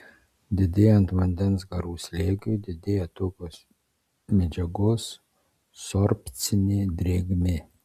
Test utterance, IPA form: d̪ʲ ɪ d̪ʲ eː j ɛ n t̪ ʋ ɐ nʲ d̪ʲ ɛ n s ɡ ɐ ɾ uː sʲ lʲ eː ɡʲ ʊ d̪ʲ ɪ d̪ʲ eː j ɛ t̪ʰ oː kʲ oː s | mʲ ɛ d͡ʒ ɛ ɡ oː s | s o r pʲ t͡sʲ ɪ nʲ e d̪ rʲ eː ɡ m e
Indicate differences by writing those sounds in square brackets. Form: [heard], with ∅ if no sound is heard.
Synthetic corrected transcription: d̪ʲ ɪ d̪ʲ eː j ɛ n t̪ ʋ ɐ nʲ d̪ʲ ɛ n s ɡ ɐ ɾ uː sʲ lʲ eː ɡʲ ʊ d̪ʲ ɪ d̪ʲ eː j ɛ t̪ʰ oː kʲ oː s | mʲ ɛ d͡ʒ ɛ ɡ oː s | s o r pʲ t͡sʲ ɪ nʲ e d̪ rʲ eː ɡ m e